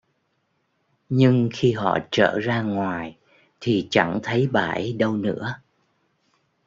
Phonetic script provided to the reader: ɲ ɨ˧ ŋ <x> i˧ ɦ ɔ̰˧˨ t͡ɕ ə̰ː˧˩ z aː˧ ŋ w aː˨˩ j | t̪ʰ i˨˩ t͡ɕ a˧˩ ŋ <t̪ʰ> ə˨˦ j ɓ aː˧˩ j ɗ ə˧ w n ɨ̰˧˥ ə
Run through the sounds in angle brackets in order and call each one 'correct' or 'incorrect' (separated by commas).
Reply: correct, correct